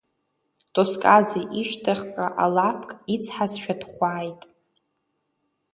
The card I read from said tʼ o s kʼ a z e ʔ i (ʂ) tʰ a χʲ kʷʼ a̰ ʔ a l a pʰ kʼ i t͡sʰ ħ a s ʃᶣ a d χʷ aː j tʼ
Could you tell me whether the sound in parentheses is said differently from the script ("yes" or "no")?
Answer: yes